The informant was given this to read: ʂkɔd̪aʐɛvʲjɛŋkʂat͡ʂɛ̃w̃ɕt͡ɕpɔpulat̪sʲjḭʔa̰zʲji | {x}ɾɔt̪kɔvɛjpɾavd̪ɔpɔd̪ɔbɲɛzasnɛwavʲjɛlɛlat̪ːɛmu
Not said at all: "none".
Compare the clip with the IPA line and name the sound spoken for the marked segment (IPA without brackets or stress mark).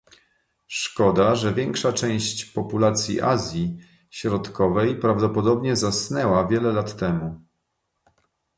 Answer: ɕ